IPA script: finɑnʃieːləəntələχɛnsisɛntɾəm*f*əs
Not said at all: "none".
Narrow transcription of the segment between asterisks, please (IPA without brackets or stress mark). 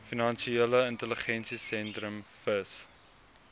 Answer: f